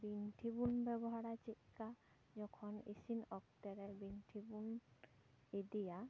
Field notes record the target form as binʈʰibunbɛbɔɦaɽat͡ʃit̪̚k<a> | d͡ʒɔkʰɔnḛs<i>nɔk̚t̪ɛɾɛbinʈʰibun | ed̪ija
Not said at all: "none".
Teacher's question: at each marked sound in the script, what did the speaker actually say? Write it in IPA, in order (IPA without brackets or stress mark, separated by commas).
a, i